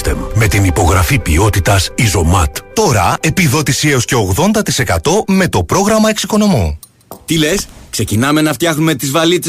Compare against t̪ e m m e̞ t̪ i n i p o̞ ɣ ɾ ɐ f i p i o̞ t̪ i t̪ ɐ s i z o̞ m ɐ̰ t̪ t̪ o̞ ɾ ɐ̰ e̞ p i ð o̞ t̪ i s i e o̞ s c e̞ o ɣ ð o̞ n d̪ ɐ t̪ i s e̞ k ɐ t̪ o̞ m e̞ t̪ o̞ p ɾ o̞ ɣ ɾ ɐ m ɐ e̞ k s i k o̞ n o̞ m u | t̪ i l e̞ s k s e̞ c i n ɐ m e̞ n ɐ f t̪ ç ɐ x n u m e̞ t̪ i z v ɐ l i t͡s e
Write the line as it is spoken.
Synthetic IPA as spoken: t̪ e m m e̞ t̪ i n i p o̞ ɣ ɾ ɐ f i p i o̞ t̪ i t̪ ɐ s i z o̞ m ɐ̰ t̪ t̪ o̞ ɾ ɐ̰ e̞ p i ð o̞ t̪ i s i e o̞ s c e̞ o ɣ ð o̞ n d̪ ɐ t̪ i s e̞ k ɐ t̪ o̞ m e̞ t̪ o̞ p ɾ o̞ ɣ ɾ ɐ m ɐ e̞ k s i k o̞ n o̞ m u | t̪ i l e̞ s k s e̞ c i n ɐ m e̞ n ɐ f t̪ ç ɐ x n u m e̞ t̪ i z v ɐ l i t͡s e